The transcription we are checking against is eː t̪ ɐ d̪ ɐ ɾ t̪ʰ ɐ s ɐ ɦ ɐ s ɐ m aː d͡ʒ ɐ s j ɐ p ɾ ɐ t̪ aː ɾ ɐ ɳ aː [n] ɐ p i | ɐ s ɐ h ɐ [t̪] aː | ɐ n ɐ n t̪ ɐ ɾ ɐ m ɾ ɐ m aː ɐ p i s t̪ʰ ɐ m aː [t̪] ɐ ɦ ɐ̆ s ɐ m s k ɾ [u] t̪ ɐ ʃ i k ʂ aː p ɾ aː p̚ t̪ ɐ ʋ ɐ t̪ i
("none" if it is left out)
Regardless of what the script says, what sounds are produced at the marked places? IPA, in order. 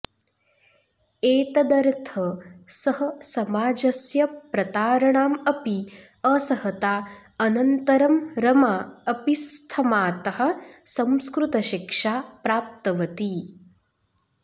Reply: m, t̪, t̪, u

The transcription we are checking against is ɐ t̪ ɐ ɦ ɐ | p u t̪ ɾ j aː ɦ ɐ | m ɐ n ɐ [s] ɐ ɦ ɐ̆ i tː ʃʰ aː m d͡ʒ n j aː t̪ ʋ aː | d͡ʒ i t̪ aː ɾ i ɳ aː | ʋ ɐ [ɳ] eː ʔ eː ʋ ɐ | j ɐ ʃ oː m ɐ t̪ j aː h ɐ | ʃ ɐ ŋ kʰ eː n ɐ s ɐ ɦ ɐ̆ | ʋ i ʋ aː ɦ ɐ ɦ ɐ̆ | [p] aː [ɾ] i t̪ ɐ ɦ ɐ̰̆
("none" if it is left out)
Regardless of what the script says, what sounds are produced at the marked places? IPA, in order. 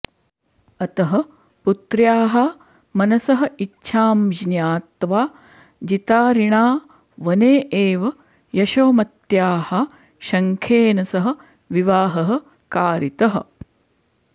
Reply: s, n, k, ɾ

